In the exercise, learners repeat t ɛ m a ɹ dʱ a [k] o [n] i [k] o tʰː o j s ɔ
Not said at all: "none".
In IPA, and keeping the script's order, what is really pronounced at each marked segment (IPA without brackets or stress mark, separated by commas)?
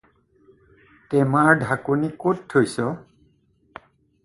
k, n, k